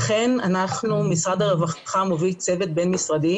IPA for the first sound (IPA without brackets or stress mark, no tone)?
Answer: χ